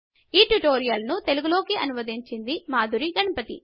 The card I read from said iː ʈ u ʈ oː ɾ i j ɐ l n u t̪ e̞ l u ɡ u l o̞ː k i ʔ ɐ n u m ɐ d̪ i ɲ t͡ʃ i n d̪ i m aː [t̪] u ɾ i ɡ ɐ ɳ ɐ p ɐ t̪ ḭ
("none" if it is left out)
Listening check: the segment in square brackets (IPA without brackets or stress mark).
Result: d̪